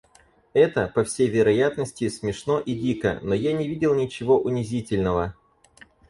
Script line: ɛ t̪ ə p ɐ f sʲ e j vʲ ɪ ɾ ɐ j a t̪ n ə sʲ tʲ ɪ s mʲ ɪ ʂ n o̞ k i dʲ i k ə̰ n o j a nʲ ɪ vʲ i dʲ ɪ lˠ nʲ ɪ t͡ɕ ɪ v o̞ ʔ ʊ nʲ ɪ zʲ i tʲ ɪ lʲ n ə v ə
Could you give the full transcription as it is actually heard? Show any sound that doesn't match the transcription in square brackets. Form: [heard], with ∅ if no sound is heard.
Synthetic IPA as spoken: ɛ t̪ ə p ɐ f sʲ e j vʲ ɪ ɾ ɐ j a t̪ n ə sʲ tʲ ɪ s mʲ ɪ ʂ n o̞ [ʔ] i dʲ i k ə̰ n o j a nʲ ɪ vʲ i dʲ ɪ lˠ nʲ ɪ t͡ɕ ɪ v o̞ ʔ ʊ nʲ ɪ zʲ i tʲ ɪ lʲ n ə v ə